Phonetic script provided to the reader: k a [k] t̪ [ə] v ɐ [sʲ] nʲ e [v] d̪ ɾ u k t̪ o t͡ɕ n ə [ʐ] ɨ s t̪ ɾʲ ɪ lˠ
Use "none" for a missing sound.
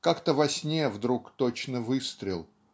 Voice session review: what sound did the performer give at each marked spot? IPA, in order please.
k, ə, sʲ, v, v

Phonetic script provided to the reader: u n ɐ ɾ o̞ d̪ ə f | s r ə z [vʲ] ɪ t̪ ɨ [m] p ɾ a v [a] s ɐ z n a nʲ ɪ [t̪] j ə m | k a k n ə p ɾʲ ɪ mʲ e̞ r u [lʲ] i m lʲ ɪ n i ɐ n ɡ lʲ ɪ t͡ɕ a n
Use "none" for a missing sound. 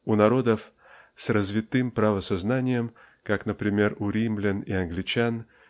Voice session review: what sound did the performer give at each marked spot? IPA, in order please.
vʲ, m, ə, none, ɾʲ

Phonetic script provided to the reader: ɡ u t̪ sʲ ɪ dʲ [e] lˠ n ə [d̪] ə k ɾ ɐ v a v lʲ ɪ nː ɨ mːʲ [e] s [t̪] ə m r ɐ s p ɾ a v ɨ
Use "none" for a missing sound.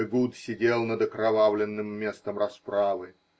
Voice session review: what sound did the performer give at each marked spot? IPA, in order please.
e, d̪, e, t̪

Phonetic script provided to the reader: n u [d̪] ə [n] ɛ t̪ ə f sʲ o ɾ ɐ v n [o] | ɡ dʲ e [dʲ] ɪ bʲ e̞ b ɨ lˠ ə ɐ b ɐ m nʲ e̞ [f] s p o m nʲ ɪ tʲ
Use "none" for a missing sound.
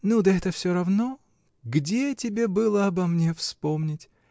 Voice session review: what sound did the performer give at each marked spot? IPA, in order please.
d̪, none, o, tʲ, f

